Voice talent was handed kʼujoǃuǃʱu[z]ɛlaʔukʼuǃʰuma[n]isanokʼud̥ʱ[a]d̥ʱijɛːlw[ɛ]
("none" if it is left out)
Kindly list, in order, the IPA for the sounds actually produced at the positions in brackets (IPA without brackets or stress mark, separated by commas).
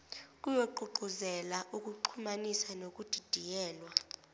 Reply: z, n, i, a